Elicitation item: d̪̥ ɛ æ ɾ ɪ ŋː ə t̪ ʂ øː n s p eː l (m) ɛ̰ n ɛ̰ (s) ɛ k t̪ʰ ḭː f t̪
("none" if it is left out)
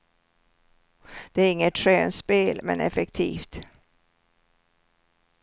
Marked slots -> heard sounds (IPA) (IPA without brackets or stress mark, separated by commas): m, f